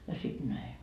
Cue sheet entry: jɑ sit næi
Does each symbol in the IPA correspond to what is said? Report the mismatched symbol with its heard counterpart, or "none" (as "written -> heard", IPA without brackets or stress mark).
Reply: none